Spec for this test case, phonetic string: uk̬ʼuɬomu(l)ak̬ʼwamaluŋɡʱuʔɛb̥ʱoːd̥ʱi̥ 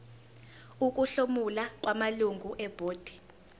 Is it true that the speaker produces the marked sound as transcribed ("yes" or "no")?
yes